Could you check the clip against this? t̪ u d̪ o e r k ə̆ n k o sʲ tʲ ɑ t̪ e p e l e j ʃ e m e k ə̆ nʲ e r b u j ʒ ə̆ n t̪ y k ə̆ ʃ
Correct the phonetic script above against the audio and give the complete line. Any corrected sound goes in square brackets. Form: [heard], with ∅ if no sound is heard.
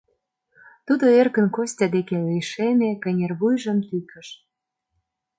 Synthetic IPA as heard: t̪ u d̪ o e r k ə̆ n k o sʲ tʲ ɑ [d̪] e [k] e l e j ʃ e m e k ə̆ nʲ e r [β] u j ʒ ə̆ [m] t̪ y k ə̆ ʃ